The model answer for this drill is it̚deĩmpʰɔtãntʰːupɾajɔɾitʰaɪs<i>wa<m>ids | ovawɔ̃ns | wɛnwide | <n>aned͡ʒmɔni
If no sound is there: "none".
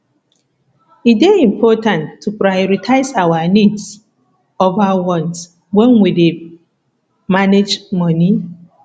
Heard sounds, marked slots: a, n, m

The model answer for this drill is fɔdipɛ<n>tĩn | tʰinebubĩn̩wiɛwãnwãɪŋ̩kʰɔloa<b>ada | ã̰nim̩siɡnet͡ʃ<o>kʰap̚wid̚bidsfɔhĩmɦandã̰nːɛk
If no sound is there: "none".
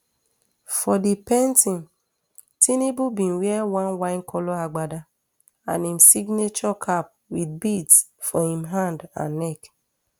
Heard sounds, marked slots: n, ɡ͡b, ɔ

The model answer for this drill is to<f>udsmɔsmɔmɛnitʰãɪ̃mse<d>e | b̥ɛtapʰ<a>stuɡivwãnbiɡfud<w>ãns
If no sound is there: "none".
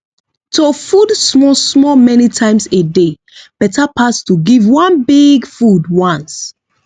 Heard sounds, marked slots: f, d, a, w

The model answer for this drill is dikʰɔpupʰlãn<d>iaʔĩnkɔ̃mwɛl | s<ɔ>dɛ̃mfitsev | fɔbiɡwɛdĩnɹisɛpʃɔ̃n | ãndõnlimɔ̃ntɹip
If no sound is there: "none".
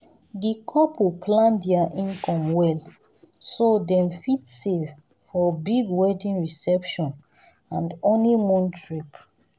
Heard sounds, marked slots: d, o

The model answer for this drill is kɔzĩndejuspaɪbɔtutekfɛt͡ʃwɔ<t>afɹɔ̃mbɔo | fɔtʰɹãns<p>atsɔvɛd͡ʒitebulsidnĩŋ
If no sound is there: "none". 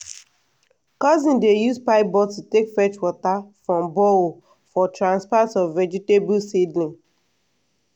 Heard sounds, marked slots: t, p

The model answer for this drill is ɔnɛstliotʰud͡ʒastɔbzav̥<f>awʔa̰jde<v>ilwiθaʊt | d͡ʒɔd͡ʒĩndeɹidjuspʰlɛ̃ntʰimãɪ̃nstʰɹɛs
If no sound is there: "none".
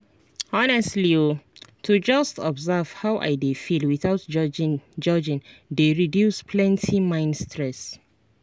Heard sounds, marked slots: h, f

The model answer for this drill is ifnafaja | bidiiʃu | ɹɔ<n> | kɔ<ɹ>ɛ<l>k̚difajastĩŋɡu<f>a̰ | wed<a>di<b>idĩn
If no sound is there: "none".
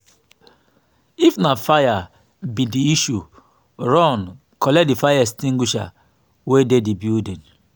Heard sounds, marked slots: n, l, none, ʃ, e, b

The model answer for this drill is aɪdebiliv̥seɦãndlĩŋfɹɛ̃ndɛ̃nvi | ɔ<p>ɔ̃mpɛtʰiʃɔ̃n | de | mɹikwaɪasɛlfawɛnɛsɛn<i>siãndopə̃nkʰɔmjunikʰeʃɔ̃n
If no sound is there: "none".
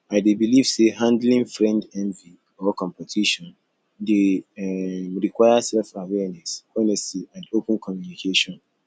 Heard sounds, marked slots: k, ɛ

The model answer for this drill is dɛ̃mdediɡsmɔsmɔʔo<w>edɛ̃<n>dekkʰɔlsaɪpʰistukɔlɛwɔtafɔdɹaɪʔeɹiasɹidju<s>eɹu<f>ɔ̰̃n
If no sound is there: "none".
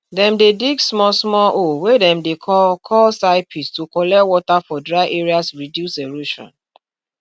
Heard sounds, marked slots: w, m, s, ʃ

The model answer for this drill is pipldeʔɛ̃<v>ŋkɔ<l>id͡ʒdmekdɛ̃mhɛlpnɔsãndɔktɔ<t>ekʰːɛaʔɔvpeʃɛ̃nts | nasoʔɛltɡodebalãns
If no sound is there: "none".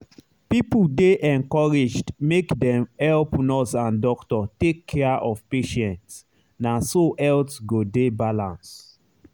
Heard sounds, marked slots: none, ɹ, t

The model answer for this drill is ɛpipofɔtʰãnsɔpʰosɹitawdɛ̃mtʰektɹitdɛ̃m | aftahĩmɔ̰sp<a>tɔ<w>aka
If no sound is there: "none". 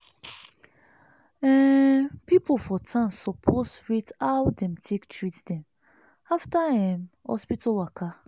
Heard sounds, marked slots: i, w

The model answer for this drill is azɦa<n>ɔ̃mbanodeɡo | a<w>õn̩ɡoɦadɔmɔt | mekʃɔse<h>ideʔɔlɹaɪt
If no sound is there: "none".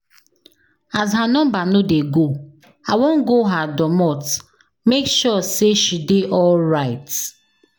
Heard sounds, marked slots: n, w, ʃ

